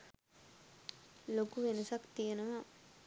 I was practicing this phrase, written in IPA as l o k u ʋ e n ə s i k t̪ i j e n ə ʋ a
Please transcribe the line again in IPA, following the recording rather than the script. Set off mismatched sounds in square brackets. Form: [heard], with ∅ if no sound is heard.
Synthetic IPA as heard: l o k u ʋ e n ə s [a] k t̪ i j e n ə ʋ a